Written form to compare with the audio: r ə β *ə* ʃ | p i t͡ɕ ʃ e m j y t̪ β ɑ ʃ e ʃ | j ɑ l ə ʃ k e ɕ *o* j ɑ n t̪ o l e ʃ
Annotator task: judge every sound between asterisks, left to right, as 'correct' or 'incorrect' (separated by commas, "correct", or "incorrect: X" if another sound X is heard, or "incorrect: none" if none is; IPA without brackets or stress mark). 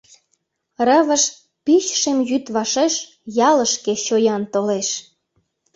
correct, correct